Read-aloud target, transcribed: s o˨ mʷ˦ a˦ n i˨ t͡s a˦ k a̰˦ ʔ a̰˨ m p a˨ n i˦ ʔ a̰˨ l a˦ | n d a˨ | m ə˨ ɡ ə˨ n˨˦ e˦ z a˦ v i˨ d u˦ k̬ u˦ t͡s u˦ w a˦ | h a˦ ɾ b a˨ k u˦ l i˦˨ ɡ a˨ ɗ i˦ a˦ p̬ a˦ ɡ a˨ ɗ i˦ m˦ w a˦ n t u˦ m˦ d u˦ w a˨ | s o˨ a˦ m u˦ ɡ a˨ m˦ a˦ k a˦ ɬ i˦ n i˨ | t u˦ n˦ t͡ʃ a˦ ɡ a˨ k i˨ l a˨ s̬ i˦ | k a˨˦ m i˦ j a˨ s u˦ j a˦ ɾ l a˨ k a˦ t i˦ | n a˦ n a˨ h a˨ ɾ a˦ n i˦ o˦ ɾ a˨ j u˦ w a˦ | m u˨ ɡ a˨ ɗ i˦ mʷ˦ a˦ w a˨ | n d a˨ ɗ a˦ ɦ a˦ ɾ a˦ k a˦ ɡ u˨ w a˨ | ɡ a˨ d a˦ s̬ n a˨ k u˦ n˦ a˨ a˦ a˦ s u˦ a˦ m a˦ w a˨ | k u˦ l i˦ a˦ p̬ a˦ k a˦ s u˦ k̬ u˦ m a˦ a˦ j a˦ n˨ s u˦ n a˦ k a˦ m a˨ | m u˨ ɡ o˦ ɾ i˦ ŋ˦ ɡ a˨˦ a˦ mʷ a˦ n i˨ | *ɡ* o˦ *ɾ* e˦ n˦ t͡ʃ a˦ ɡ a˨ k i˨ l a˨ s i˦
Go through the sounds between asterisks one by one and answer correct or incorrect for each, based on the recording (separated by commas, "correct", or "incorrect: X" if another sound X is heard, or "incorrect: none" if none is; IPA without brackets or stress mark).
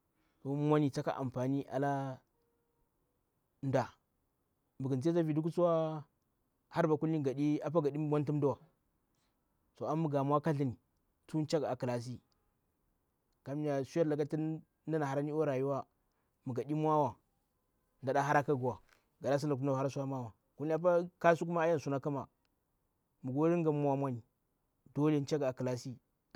incorrect: d, incorrect: l